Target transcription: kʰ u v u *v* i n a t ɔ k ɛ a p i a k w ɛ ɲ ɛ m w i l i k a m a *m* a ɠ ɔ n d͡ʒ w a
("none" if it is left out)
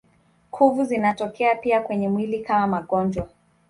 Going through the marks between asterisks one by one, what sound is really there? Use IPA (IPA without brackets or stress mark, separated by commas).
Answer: z, m